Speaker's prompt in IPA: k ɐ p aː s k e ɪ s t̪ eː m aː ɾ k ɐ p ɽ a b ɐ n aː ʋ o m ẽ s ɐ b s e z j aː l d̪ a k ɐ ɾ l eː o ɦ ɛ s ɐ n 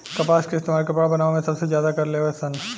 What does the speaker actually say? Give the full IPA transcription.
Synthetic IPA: k ɐ p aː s k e ɪ s t̪ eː m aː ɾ k ɐ p ɽ a b ɐ n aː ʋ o m ẽ s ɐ b s e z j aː d̪ a k ɐ ɾ l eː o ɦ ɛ s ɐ n